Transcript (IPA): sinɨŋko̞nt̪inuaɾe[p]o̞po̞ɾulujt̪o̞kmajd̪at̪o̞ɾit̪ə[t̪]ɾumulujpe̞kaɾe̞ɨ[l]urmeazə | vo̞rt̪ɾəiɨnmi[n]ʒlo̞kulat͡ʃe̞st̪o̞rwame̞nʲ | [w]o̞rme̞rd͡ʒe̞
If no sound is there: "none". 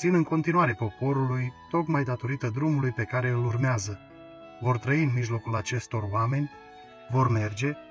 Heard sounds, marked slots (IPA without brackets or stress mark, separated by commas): p, d̪, l, none, v